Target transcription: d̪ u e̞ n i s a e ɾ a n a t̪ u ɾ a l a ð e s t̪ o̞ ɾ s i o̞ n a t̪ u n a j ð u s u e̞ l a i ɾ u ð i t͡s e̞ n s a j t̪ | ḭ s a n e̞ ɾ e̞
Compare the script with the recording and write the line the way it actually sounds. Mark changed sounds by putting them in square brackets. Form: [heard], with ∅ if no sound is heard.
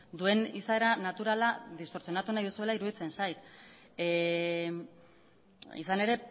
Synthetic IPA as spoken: d̪ u e̞ n i s a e ɾ a n a t̪ u ɾ a l a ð [i] s t̪ o̞ ɾ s i o̞ n a t̪ u n a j ð u s u e̞ l a i ɾ u ð i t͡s e̞ n s a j t̪ | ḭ s a n e̞ ɾ e̞